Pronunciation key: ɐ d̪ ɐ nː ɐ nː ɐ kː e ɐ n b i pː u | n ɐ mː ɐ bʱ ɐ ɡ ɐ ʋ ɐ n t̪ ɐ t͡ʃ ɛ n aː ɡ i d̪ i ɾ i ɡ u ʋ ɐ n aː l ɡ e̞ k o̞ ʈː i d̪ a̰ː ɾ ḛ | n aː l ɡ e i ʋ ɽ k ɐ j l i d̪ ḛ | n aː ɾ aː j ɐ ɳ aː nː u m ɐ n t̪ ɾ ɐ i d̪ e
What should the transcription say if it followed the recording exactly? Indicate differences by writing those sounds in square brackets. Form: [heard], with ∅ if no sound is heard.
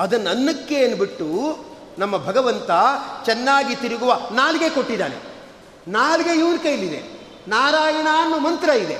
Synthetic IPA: ɐ d̪ ɐ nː ɐ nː ɐ kː e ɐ n b i [ʈː] u | n ɐ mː ɐ bʱ ɐ ɡ ɐ ʋ ɐ n t̪ ɐ t͡ʃ ɛ [nː] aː ɡ i [t̪] i ɾ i ɡ u ʋ ɐ n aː l ɡ e̞ k o̞ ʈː i d̪ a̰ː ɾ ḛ | n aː l ɡ e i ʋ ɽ k ɐ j l i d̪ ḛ | n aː ɾ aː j ɐ ɳ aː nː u m ɐ n t̪ ɾ ɐ i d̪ e